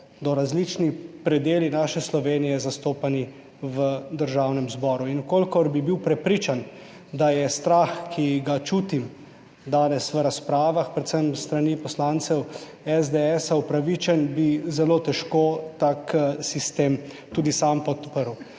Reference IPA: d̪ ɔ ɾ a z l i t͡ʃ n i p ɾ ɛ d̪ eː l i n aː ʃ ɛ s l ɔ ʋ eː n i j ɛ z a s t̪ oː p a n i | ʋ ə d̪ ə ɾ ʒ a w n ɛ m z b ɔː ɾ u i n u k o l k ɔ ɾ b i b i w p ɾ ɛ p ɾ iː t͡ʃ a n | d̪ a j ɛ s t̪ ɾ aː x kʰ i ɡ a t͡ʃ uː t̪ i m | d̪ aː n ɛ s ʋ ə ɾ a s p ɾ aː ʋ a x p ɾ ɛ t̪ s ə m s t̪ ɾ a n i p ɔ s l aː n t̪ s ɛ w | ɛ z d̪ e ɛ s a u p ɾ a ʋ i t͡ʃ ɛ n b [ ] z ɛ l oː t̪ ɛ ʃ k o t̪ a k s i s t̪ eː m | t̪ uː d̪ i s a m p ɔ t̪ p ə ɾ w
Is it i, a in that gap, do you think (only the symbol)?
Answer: i